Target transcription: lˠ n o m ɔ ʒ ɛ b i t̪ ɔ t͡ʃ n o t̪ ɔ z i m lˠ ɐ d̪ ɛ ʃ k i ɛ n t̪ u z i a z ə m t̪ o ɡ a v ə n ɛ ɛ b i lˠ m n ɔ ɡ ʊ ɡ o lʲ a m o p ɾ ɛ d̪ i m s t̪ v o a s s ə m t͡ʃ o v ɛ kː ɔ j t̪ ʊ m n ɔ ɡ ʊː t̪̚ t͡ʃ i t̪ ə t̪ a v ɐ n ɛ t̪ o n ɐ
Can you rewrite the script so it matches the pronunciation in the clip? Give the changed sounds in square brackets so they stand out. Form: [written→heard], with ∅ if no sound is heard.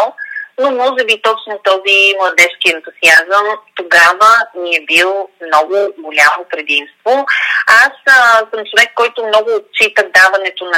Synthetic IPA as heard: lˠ n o m ɔ ʒ ɛ b i t̪ ɔ t͡ʃ n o t̪ ɔ z i m lˠ ɐ d̪ ɛ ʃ k i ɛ n t̪ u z i a z ə m t̪ o ɡ a v ə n [ɛ→i] ɛ b i lˠ m n ɔ ɡ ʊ ɡ o lʲ a m o p ɾ ɛ d̪ i m s t̪ v o a s s ə m t͡ʃ o v ɛ kː ɔ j t̪ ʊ m n ɔ ɡ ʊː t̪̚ t͡ʃ i t̪ ə [t̪→d̪] a v ɐ n ɛ t̪ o n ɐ